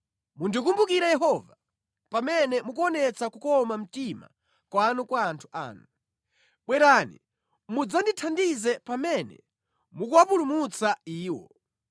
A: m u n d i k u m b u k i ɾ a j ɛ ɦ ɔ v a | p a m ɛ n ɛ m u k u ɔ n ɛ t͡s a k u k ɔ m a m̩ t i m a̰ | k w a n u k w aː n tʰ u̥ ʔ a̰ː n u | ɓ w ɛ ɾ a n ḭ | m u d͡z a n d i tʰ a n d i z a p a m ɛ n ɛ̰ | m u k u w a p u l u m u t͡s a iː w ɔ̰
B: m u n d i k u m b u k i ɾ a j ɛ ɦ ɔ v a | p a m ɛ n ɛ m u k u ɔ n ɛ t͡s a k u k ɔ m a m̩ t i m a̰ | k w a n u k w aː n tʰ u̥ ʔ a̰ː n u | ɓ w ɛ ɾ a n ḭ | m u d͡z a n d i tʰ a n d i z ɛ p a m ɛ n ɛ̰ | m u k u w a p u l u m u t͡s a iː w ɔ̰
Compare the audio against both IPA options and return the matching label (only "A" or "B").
B